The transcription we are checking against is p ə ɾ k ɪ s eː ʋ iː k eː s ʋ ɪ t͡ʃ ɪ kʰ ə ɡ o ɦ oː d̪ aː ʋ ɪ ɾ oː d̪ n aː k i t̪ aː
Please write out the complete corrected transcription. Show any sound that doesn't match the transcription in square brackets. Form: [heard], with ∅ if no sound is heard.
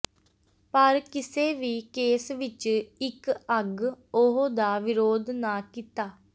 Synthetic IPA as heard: p ə ɾ k ɪ s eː ʋ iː k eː s ʋ ɪ t͡ʃ ɪ [k] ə ɡ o ɦ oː d̪ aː ʋ ɪ ɾ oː d̪ n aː k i t̪ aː